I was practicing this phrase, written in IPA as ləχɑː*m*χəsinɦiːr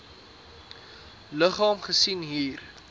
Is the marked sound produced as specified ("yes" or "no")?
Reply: yes